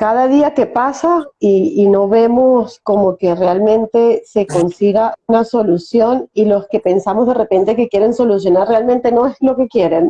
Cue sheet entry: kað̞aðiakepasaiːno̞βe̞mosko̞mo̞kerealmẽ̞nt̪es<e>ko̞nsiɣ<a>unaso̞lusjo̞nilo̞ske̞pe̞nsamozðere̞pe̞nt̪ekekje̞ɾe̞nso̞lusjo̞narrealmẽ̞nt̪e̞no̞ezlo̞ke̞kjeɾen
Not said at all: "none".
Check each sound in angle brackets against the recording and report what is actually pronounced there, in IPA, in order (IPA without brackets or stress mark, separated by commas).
e, a